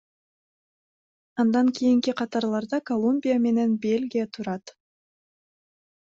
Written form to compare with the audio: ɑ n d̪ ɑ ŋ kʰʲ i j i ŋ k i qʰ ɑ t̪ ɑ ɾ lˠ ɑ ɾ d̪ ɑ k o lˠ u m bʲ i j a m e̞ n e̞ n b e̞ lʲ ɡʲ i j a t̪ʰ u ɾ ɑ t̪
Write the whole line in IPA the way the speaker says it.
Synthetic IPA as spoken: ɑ n d̪ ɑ ŋ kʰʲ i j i ŋ k i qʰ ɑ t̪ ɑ ɾ lˠ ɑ ɾ d̪ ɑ k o lˠ u m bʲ i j a m e̞ n e̞ n b e̞ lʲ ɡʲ i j a t̪ʰ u ɾ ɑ t̪

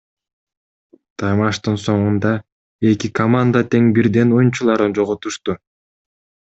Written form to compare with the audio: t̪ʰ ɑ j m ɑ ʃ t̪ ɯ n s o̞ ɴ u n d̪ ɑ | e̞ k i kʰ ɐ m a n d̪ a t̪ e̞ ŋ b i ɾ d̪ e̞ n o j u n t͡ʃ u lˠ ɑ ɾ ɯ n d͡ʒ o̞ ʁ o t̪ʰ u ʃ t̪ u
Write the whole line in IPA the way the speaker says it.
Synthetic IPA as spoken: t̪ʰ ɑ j m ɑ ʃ t̪ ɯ n s o̞ ɴ u n d̪ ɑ | e̞ k i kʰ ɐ m a n d̪ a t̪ e̞ ŋ b i ɾ d̪ e̞ n o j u n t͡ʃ u lˠ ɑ ɾ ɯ n d͡ʒ o̞ ʁ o t̪ u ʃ t̪ u

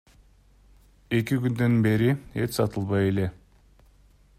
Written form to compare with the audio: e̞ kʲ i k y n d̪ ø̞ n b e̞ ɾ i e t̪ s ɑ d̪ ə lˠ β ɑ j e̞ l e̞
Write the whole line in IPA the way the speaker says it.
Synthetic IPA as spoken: e̞ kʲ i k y n d̪ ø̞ n b e̞ ɾ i e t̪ s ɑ t̪ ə lˠ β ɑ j e̞ l e̞

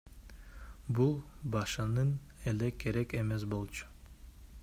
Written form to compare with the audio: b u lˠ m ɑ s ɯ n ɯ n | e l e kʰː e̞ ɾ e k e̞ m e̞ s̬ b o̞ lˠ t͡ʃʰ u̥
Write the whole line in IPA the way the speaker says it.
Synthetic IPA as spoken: b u lˠ b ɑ ʃ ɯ n ɯ n | e l e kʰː e̞ ɾ e k e̞ m e̞ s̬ b o̞ lˠ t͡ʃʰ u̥

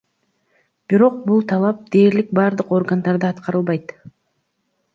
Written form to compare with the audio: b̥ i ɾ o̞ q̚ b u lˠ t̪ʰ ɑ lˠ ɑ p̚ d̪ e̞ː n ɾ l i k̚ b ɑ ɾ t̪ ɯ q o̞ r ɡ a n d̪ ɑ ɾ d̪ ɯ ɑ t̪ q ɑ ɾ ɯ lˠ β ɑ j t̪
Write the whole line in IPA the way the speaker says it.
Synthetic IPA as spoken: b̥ i ɾ o̞ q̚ b u lˠ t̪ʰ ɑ lˠ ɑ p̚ d̪ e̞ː ɾ l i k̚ b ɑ ɾ d̪ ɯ q o̞ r ɡ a n d̪ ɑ ɾ d̪ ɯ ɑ t̪ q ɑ ɾ ɯ lˠ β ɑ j t̪

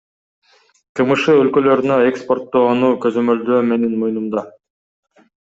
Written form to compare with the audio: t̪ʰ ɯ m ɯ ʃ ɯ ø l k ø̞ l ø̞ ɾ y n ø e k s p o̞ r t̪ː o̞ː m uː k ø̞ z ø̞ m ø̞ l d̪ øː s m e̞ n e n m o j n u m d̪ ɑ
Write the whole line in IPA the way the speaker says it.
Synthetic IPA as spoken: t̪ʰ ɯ m ɯ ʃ ɯ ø l k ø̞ l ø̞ ɾ y n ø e k s p o̞ r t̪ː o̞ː n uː k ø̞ z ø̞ m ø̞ l d̪ øː m e̞ n e n m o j n u m d̪ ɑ

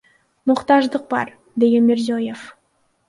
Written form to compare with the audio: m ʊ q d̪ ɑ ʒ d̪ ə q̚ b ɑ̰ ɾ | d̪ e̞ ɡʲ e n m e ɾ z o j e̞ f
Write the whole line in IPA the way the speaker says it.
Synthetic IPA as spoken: m ʊ q t̪ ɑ ʒ d̪ ə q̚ b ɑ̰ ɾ | d̪ e̞ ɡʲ e n m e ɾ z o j e̞ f

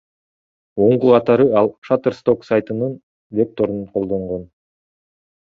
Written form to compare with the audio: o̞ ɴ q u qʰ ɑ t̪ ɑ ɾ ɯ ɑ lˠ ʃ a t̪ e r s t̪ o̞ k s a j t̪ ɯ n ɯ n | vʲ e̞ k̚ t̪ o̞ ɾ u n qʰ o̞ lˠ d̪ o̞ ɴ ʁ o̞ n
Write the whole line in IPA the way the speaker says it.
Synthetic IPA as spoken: o̞ ɴ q u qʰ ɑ t̪ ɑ ɾ ɯ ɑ lˠ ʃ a t̪ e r s t̪ o̞ k s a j t̪ ɯ n ɯ n | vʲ e̞ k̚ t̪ o̞ ɾ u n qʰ o̞ lˠ d̪ o̞ ɴ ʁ o̞ n

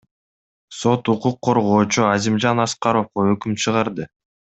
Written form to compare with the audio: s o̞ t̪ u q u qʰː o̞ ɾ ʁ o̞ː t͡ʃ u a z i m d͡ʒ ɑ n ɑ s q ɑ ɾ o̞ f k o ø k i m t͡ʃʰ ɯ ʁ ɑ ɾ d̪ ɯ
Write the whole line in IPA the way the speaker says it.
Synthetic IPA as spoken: s o̞ t̪ u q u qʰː o̞ ɾ ʁ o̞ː t͡ʃ u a z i m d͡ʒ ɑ n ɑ s q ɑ ɾ o̞ f q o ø k y m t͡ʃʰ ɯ ʁ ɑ ɾ d̪ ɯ

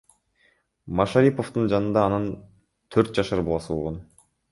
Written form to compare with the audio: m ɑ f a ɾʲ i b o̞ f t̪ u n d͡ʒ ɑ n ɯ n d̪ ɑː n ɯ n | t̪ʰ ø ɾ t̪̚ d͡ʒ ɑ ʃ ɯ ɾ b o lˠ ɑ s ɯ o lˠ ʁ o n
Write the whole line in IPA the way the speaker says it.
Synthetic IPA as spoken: m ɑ ʃ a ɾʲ i p o̞ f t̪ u n d͡ʒ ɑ n ɯ n d̪ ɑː n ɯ n | t̪ʰ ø ɾ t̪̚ d͡ʒ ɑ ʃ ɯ ɾ b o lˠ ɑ s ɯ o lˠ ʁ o n

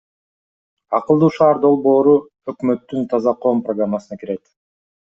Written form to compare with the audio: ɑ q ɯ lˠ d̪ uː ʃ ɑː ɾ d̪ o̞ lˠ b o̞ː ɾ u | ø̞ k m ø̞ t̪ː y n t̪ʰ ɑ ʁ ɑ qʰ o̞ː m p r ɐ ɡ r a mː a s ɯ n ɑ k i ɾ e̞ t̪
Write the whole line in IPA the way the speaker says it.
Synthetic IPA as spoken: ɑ q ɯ lˠ d̪ uː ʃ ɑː ɾ d̪ o̞ lˠ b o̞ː ɾ u | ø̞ k m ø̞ t̪ː y n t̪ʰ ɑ z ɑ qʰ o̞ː m p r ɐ ɡ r a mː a s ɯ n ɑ k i ɾ e̞ t̪

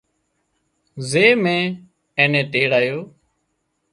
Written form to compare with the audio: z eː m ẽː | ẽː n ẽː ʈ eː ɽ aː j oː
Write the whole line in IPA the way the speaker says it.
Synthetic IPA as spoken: z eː m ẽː | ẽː n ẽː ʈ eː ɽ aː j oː

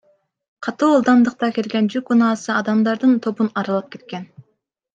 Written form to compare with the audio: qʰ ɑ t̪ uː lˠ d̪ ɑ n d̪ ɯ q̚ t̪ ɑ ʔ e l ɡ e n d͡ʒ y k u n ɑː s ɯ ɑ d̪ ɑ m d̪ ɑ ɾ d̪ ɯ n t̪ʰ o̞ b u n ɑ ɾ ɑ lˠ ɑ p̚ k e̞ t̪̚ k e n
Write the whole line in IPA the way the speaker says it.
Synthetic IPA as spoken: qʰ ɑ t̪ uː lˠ d̪ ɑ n d̪ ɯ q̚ t̪ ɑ k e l ɡ e n d͡ʒ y k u n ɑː s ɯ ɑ d̪ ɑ m d̪ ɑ ɾ d̪ ɯ n t̪ʰ o̞ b u n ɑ ɾ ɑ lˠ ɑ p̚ k e̞ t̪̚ k e n

